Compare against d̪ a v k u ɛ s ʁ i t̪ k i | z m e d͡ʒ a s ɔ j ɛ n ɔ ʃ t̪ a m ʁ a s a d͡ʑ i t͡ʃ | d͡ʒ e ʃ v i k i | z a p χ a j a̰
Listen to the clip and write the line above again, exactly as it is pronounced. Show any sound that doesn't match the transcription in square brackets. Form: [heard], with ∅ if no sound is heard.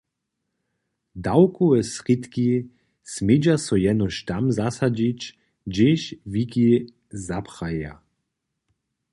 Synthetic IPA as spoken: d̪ a [w] k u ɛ s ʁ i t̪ k i | [s] m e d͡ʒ a s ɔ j ɛ n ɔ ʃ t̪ a m [z] a s a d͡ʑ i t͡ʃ | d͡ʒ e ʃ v i k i | z a p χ a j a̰